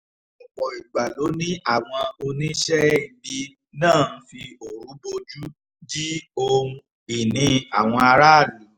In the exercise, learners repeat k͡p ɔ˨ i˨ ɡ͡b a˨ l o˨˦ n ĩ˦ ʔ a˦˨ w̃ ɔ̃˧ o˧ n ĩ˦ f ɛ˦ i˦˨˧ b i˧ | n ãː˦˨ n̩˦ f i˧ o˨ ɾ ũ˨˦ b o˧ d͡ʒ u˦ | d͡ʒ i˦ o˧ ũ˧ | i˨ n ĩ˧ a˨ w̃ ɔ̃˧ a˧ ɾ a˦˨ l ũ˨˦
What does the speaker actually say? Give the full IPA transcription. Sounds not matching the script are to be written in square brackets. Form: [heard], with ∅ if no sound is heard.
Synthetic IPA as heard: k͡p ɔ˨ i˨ ɡ͡b a˨ l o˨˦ n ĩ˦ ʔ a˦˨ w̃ ɔ̃˧ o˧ n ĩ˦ [ʃ] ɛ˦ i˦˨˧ b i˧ | n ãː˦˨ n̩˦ f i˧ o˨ ɾ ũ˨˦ b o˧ d͡ʒ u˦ | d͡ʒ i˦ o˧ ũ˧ | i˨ n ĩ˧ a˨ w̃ ɔ̃˧ a˧ ɾ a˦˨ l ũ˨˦